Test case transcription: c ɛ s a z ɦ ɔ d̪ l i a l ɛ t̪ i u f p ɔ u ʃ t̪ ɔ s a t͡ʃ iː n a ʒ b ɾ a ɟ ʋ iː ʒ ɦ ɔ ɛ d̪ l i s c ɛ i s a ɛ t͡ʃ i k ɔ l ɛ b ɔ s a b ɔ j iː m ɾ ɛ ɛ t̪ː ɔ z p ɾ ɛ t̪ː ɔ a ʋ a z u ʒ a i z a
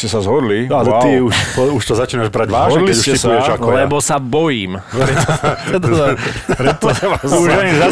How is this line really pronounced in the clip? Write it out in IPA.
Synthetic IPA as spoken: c ɛ s a z ɦ ɔ d̪ l i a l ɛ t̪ i u ʃ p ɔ u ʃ t̪ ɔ z a t͡ʃ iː n a ʒ b ɾ a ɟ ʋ aː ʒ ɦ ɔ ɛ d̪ l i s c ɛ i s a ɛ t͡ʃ a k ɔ l ɛ b ɔ s a b ɔ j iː m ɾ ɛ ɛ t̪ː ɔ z p ɾ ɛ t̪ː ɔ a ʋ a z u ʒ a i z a